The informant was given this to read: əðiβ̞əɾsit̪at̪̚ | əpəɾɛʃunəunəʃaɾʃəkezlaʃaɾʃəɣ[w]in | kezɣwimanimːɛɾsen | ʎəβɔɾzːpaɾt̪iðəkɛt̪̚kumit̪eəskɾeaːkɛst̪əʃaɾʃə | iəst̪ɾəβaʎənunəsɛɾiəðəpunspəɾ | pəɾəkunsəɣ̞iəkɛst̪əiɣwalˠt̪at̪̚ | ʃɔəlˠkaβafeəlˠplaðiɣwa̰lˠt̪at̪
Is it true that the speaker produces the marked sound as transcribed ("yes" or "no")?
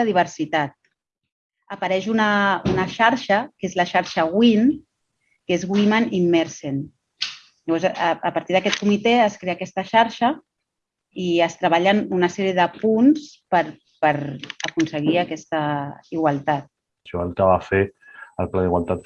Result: yes